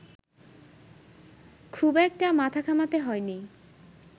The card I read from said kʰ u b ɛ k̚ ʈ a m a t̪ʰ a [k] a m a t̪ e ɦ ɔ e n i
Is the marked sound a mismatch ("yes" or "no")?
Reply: yes